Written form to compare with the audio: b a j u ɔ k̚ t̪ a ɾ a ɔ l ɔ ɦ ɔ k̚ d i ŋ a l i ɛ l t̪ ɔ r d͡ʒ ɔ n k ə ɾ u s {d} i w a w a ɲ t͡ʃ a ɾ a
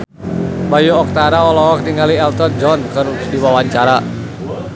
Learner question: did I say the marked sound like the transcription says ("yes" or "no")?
yes